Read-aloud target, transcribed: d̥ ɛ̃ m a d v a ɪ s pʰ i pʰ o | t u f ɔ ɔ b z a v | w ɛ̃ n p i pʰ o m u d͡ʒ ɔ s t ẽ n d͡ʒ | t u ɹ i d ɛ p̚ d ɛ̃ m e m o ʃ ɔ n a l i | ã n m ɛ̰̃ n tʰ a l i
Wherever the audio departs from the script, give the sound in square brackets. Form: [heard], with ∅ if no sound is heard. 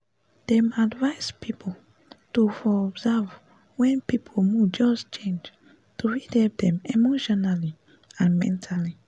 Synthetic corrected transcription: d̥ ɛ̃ m a d v a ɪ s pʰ i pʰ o | t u f ɔ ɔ b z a v | w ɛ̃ n p i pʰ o m u d͡ʒ ɔ s [t͡ʃ] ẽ n d͡ʒ | t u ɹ i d ɛ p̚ d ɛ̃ m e m o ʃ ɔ n a l i | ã n m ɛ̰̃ n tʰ a l i